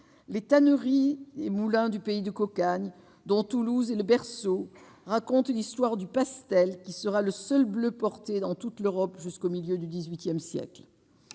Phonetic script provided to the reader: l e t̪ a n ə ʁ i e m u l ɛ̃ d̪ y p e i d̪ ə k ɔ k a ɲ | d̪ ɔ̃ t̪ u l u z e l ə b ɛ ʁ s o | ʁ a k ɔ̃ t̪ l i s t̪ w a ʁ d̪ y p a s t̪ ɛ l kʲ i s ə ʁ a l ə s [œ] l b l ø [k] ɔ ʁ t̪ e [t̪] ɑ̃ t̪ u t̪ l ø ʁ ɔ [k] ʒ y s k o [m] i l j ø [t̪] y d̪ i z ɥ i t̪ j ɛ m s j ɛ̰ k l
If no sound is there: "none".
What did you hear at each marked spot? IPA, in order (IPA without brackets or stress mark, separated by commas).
œ, p, d̪, p, m, d̪